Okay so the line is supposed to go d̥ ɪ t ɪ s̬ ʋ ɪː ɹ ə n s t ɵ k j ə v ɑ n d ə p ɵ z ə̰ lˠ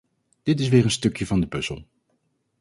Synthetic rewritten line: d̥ ɪ t ɪ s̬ ʋ ɪː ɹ ə n s t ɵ k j ə v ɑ n d ə p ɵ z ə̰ lˠ